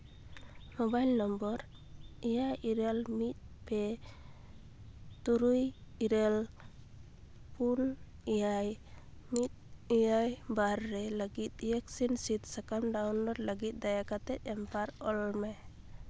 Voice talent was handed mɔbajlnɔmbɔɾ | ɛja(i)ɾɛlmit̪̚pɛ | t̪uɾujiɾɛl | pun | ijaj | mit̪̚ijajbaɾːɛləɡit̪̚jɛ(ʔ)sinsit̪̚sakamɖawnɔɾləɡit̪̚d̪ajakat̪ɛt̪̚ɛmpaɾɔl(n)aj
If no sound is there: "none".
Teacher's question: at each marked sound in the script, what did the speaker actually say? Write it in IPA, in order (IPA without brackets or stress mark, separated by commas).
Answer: i, k, m